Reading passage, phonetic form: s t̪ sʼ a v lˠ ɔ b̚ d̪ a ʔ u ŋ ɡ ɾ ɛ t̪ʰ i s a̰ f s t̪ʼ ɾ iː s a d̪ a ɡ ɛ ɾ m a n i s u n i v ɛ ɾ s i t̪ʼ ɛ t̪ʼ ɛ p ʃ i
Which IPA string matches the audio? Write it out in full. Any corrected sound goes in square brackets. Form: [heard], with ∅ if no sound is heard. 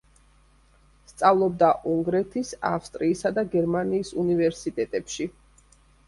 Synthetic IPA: s t̪ sʼ a v lˠ ɔ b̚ d̪ a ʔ u ŋ ɡ ɾ ɛ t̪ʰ i s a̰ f s t̪ʼ ɾ iː s a d̪ a ɡ ɛ ɾ m a n [iː] s u n i v ɛ ɾ s i t̪ʼ ɛ t̪ʼ ɛ p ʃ i